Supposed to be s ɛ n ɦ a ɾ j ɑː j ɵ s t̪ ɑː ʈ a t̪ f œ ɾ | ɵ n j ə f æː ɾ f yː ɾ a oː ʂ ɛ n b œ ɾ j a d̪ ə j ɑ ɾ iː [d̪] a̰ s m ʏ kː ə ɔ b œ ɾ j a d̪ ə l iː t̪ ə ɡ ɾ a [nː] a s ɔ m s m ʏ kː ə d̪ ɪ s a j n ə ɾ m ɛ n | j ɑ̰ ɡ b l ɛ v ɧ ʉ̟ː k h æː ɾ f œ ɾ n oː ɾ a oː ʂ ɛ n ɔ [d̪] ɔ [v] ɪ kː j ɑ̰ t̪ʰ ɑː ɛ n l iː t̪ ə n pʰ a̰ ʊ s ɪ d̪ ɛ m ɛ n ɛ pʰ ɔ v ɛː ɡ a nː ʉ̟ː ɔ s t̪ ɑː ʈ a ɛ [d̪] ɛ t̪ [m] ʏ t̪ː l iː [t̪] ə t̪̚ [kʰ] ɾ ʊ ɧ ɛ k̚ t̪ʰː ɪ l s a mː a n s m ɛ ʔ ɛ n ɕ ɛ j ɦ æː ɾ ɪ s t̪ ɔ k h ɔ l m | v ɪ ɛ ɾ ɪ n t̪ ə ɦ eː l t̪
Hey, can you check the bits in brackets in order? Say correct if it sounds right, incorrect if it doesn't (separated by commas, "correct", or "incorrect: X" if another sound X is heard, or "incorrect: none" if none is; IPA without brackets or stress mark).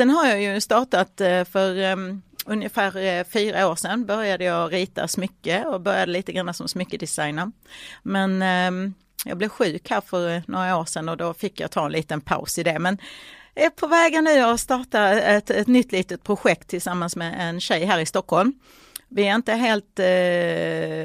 incorrect: t̪, correct, correct, incorrect: f, incorrect: t̪, incorrect: n, correct, incorrect: pʰ